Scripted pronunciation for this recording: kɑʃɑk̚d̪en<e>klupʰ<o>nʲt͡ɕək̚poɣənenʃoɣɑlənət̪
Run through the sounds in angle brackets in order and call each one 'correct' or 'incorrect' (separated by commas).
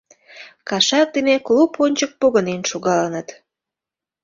correct, correct